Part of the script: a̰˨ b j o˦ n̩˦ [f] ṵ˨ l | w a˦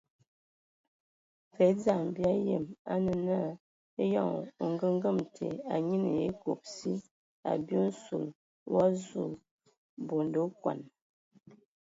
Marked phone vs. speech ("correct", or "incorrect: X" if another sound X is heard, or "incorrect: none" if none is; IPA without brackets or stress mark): incorrect: s